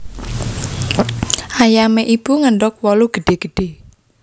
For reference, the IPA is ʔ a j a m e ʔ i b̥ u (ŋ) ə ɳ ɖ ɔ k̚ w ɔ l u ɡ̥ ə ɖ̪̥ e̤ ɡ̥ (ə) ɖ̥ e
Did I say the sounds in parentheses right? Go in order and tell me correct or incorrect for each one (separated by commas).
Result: correct, correct